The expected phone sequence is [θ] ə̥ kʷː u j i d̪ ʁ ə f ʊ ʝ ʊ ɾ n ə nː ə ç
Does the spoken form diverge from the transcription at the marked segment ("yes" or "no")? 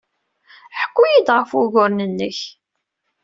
yes